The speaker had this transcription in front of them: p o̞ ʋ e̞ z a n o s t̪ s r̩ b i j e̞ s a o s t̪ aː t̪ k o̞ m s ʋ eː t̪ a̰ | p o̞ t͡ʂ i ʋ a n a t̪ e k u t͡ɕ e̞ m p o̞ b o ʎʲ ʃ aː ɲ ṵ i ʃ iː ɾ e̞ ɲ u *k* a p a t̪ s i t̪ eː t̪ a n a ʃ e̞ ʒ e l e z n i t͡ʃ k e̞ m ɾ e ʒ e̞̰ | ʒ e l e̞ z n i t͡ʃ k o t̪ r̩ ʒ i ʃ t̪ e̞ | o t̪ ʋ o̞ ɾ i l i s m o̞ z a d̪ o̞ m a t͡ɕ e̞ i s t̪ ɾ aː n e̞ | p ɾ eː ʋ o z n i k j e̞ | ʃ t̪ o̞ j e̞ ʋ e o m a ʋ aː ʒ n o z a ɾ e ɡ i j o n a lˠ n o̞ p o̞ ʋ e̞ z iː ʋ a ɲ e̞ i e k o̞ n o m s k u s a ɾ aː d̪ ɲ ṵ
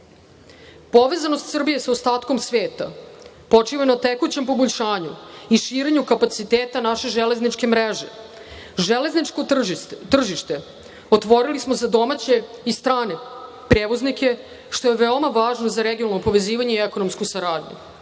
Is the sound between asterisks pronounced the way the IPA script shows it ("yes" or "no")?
yes